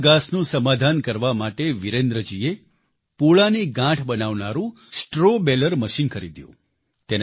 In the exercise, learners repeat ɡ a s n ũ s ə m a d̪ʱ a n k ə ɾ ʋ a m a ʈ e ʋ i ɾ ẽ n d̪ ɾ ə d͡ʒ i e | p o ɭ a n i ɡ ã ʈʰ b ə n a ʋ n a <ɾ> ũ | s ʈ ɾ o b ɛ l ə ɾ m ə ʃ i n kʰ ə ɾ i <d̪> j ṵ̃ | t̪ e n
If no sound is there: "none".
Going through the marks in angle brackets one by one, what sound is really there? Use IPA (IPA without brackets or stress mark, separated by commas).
ɾ, d̪